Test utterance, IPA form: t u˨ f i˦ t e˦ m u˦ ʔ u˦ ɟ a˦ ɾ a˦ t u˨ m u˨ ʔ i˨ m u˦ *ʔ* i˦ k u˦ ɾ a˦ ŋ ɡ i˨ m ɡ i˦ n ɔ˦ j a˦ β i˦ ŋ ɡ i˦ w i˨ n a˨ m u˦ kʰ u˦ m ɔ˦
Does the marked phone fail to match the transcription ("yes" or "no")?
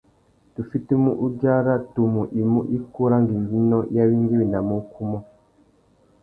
no